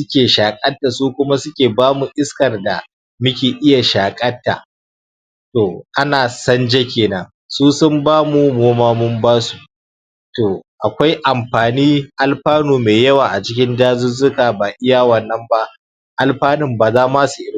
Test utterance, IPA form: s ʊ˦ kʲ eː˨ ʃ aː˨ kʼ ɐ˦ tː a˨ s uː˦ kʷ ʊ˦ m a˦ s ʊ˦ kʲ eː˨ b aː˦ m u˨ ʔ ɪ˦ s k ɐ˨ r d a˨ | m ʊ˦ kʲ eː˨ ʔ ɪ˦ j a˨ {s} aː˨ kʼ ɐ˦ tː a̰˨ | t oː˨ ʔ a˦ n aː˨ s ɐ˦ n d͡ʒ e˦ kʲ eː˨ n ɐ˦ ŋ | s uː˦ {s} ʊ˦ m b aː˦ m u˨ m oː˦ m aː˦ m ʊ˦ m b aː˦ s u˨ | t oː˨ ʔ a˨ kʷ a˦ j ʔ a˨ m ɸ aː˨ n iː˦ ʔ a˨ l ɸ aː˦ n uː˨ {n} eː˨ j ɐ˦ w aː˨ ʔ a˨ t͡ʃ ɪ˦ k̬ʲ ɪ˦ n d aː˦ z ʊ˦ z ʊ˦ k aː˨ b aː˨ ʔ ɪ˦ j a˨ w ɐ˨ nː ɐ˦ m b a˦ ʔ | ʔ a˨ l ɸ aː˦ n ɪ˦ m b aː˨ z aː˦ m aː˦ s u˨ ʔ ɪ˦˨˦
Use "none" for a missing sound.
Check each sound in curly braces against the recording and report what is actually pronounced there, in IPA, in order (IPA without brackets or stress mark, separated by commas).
ʃ, s, m